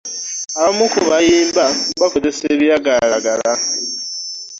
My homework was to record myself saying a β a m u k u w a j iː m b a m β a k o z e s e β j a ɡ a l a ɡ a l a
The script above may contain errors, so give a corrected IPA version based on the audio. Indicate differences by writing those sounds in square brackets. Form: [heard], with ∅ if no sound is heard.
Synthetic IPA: a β a m u k u [β] a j iː m b a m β a k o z e s e β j a ɡ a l a ɡ a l a